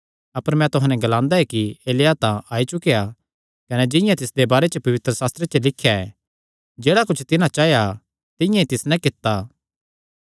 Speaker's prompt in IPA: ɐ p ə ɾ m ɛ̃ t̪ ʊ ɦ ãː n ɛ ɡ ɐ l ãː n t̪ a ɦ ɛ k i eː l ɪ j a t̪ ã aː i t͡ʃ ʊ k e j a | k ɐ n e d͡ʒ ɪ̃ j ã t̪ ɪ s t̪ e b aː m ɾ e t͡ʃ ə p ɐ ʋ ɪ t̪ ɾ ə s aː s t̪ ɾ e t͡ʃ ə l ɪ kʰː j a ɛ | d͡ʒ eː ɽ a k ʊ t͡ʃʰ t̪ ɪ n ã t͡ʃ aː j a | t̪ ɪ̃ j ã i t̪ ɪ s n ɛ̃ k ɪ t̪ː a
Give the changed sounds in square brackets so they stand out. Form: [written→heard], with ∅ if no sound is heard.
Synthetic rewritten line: ɐ p ə ɾ m ɛ̃ t̪ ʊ ɦ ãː n ɛ ɡ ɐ l ãː n [t̪→d̪] a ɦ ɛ k i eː l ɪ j a t̪ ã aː i t͡ʃ ʊ k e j a | k ɐ n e d͡ʒ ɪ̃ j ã t̪ ɪ s [t̪→d̪] e b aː [m→∅] ɾ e t͡ʃ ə p ɐ ʋ ɪ t̪ ɾ ə s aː s t̪ ɾ e t͡ʃ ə l ɪ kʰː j a ɛ | d͡ʒ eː ɽ a k ʊ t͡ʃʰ t̪ ɪ n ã t͡ʃ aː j a | t̪ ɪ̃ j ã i t̪ ɪ s n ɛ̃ k ɪ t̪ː a

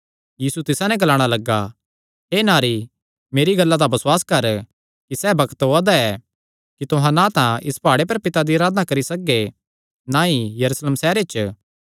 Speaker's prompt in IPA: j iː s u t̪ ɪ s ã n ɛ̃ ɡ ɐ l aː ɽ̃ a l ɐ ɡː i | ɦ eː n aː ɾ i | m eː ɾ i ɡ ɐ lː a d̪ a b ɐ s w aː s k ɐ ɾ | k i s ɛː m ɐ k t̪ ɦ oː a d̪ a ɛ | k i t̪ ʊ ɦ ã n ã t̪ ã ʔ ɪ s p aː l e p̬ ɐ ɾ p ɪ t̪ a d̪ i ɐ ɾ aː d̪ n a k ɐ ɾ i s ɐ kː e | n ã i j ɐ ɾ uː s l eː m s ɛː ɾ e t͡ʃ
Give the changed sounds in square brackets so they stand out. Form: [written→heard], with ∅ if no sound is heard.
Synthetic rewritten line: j iː s u t̪ ɪ s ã n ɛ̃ ɡ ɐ l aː ɽ̃ a l ɐ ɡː [i→a] | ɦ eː n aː ɾ i | m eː ɾ i ɡ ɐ lː a d̪ a b ɐ s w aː s k ɐ ɾ | k i s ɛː [m→b] ɐ k t̪ ɦ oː a d̪ a ɛ | k i t̪ ʊ ɦ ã n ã t̪ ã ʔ ɪ s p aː [l→ɽ] e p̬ ɐ ɾ p ɪ t̪ a d̪ i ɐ ɾ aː d̪ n a k ɐ ɾ i s ɐ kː e | n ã i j ɐ ɾ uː s l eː m s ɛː ɾ e t͡ʃ

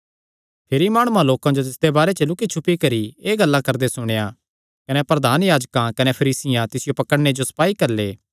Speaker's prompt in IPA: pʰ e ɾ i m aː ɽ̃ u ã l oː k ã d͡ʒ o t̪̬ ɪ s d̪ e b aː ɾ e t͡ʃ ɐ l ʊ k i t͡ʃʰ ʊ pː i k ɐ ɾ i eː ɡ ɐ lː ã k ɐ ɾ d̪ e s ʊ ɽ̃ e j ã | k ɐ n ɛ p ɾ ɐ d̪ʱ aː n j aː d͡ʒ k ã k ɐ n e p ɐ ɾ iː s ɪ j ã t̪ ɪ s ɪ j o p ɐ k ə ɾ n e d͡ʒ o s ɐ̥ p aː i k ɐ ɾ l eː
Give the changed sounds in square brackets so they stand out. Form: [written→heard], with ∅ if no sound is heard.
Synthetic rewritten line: pʰ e ɾ i m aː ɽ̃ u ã l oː k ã d͡ʒ o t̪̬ ɪ s d̪ e b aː ɾ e t͡ʃ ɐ l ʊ k i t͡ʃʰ ʊ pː i k ɐ ɾ i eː ɡ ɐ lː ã k ɐ ɾ d̪ e s ʊ ɽ̃ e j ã | k ɐ n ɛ p ɾ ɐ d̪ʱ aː n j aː d͡ʒ k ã k ɐ n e [p→pʰ] ɐ ɾ iː s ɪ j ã t̪ ɪ s ɪ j o p ɐ k ə [ɾ→ɽ] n e d͡ʒ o s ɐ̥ p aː i k ɐ ɾ l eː

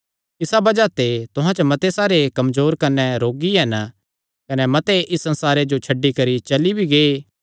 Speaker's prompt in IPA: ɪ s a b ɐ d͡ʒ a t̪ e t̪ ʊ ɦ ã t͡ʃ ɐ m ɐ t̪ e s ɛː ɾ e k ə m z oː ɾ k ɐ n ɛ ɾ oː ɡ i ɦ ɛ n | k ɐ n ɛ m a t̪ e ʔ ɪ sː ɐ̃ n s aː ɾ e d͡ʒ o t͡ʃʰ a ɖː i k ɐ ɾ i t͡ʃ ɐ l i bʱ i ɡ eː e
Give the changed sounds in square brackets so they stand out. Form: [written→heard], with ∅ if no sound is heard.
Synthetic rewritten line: ɪ s a b ɐ d͡ʒ a t̪ e t̪ ʊ ɦ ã t͡ʃ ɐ m ɐ t̪ e s [ɛː→aː] ɾ e k [ə→ɐ] m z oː ɾ k ɐ n ɛ ɾ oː ɡ i ɦ ɛ n | k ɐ n ɛ m [a→ɐ] t̪ e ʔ ɪ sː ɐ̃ n s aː ɾ e d͡ʒ o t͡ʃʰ [a→ɐ] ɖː i k ɐ ɾ i t͡ʃ ɐ l i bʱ i ɡ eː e

